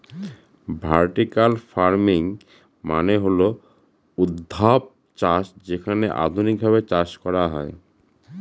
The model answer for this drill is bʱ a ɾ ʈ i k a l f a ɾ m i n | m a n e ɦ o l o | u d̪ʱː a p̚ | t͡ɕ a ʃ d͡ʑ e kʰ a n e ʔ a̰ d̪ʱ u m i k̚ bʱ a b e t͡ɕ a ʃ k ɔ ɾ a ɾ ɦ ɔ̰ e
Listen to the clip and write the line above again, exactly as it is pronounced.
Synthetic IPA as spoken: bʱ a ɾ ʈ i k a l f a ɾ m i ŋ | m a n e ɦ o l o | u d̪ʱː a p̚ | t͡ɕ a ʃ d͡ʑ e kʰ a n e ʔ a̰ d̪ʱ u n i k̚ bʱ a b e t͡ɕ a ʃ k ɔ ɾ a ɦ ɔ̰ e